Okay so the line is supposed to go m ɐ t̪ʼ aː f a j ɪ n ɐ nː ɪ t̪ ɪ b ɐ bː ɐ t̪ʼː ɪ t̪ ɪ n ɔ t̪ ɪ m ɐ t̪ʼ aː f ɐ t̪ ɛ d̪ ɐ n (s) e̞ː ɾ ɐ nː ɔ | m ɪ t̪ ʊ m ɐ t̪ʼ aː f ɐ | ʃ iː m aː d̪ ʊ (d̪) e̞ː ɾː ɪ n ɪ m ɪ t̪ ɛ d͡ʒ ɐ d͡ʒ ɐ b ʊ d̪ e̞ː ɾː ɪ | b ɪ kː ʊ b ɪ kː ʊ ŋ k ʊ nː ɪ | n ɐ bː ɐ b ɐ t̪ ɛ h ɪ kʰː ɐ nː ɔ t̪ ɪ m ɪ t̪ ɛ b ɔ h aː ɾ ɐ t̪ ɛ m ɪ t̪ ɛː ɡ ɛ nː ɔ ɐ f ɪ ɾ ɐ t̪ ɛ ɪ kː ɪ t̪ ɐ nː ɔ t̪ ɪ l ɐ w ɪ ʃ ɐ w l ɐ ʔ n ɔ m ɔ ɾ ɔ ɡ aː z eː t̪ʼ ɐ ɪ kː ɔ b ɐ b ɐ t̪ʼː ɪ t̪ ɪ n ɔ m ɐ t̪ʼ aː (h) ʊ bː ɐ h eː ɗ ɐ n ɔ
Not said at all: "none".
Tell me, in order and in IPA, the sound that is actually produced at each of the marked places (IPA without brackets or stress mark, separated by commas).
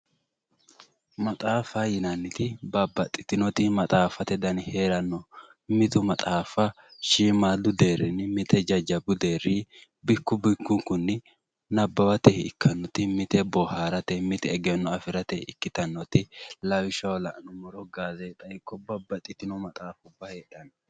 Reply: h, d̪, f